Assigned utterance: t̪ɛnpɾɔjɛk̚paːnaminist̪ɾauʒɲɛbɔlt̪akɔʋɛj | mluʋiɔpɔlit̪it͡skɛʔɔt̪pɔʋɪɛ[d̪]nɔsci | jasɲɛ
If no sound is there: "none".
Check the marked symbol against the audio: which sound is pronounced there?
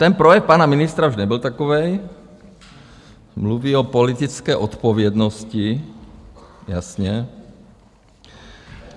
d̪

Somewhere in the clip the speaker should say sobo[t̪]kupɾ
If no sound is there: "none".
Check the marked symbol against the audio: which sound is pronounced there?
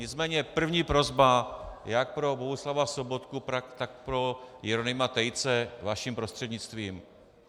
t̪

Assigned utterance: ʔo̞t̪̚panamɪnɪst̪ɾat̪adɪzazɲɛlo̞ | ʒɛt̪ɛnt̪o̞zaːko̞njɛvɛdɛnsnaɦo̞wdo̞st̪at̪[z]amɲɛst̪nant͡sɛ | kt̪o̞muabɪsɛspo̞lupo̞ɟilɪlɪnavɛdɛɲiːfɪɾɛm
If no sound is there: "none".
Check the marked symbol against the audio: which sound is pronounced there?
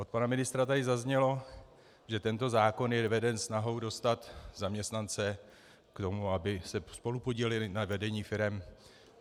z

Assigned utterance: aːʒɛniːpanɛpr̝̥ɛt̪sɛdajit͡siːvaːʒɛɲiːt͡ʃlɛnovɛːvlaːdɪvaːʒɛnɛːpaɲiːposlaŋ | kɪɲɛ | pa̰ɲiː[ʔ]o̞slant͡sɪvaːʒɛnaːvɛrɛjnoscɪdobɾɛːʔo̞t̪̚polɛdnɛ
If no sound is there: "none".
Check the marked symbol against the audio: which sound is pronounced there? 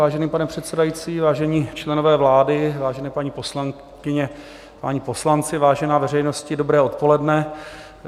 p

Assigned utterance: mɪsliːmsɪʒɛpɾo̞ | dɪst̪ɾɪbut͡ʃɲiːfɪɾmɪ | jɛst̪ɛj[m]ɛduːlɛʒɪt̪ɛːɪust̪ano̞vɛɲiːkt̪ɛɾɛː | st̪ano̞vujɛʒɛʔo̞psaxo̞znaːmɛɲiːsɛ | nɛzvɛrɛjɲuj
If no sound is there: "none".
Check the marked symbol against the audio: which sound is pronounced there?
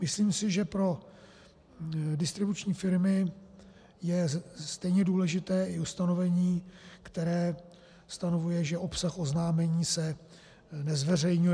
ɲ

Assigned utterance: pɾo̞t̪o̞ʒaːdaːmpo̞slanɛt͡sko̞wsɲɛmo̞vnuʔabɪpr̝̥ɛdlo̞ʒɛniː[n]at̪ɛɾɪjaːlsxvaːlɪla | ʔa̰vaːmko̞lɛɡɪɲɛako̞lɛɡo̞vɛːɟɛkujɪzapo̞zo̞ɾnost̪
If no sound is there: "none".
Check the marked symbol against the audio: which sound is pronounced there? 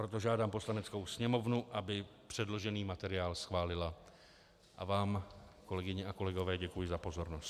m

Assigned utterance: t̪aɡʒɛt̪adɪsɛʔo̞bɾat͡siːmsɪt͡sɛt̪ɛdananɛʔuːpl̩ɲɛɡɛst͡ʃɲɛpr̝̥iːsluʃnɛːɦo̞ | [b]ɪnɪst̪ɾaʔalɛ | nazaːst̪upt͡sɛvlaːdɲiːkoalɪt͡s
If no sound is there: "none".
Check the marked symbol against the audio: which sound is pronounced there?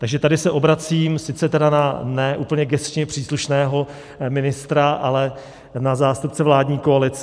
m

